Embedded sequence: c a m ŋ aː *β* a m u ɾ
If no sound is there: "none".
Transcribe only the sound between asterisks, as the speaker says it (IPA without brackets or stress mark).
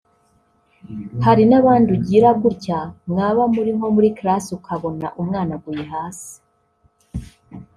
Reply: β